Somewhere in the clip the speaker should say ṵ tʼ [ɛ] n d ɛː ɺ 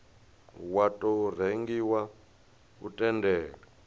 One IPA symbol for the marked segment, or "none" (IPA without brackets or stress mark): ɛ